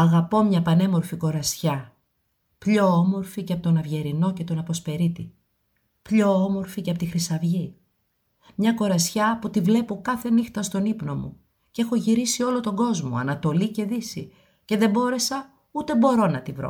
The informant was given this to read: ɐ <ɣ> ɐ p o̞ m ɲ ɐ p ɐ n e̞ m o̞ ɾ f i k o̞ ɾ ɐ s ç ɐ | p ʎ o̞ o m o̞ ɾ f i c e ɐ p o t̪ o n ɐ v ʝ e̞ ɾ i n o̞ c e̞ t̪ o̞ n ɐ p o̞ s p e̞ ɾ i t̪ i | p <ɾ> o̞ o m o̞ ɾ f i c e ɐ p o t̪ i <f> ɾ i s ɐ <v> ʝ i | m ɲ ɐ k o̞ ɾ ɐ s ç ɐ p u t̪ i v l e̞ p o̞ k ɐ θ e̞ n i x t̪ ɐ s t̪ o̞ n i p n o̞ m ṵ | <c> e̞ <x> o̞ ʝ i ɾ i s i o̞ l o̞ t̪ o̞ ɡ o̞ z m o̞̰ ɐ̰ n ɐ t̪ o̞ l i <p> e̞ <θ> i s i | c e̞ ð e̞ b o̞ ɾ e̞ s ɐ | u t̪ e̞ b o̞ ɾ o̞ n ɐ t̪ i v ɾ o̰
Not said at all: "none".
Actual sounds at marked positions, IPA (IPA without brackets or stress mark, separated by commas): ɣ, ʎ, x, v, c, x, c, ð